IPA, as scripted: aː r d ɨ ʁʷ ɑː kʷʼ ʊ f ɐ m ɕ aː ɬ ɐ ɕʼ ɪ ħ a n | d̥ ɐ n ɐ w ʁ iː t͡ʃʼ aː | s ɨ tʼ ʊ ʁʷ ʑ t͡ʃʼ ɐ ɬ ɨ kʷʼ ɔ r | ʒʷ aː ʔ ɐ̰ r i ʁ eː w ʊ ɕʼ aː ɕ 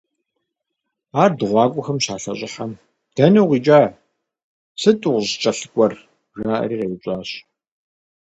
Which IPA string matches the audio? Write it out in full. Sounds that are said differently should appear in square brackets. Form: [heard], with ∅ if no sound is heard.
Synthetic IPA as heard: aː r d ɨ ʁʷ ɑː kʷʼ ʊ [x] ɐ m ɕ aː ɬ ɐ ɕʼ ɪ ħ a [m] | d̥ ɐ n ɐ w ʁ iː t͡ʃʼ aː | s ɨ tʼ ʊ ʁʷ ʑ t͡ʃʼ ɐ ɬ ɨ kʷʼ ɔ r | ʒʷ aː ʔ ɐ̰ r [iː] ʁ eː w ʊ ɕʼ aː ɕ